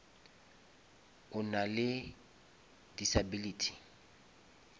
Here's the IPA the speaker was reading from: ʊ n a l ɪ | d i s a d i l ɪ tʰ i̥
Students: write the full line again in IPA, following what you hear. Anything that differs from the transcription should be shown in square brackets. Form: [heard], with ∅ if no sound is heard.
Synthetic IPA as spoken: ʊ n a l ɪ | d i s a [b] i l [i] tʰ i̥